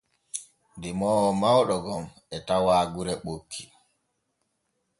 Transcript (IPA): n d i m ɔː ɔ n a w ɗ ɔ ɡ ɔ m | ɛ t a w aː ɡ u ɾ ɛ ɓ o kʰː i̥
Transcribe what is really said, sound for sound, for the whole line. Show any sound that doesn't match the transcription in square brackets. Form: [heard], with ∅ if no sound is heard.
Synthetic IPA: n d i m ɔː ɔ [m] a w ɗ ɔ ɡ ɔ m | ɛ t a w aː ɡ u ɾ ɛ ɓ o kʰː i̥